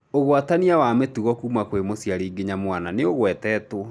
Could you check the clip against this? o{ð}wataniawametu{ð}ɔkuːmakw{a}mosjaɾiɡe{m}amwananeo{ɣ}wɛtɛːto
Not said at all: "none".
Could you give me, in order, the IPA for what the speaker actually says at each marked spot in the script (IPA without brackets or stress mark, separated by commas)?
ɣ, ɣ, e, ɲ, ɣ